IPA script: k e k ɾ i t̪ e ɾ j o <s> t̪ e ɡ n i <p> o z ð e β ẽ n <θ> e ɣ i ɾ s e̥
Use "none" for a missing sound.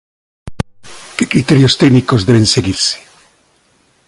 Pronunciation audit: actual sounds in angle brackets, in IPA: s, k, s

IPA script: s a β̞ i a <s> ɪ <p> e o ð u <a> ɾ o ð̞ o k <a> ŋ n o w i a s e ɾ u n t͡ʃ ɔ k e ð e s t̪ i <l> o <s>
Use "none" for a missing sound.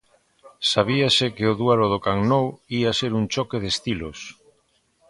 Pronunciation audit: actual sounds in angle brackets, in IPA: s, k, a, a, l, s

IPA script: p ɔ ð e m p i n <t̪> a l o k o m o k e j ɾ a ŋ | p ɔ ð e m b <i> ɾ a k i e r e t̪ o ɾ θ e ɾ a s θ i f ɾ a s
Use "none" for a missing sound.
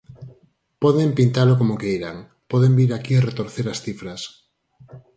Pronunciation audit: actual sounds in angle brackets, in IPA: t̪, i

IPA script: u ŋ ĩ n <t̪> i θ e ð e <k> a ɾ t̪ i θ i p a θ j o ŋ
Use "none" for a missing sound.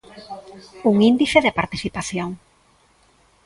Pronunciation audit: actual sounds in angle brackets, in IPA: d̪, p

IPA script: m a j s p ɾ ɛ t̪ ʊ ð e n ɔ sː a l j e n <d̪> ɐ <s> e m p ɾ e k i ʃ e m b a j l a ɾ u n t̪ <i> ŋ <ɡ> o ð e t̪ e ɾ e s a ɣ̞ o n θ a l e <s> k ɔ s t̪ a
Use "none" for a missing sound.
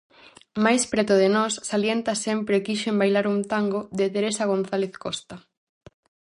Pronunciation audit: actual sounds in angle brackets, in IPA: t̪, s, a, ɡ, θ

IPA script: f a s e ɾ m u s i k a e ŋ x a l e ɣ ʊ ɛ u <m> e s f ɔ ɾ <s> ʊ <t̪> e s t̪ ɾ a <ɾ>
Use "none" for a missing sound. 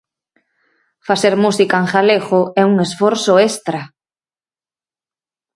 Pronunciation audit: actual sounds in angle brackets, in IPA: ŋ, s, none, none

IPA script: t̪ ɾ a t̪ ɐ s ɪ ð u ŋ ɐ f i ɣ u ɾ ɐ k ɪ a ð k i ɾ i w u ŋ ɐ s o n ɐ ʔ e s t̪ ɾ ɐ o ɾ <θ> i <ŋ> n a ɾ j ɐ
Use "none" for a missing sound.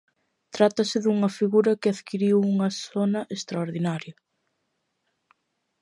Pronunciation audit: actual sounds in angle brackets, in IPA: ð, none

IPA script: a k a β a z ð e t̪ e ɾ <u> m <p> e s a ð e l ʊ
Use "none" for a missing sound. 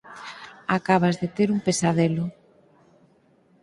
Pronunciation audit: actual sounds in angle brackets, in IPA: u, p

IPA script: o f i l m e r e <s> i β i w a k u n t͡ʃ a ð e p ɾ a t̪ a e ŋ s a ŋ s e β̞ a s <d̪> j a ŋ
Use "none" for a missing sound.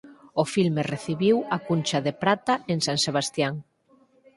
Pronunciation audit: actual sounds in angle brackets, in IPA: θ, t̪

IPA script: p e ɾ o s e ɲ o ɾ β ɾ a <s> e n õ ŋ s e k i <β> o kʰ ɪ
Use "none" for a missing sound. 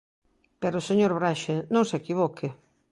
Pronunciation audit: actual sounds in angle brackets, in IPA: ʃ, β

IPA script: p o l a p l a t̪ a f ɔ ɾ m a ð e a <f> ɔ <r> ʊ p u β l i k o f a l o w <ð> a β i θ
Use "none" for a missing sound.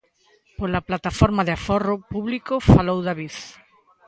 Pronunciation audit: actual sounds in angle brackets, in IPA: f, r, ð

